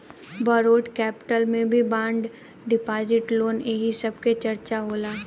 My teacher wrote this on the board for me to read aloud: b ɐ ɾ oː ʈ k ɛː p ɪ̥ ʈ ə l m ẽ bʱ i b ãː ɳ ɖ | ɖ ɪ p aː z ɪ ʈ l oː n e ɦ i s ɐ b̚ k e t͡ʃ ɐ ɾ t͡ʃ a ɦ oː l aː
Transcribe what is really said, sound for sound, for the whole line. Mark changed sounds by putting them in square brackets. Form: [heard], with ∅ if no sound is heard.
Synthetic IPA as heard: b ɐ ɾ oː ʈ k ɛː p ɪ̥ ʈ ə l m ẽ bʱ i b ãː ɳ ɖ | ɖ ɪ p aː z ɪ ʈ l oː n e ɦ i s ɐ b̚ k e t͡ʃ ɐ ɾ t͡ʃ a ɦ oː l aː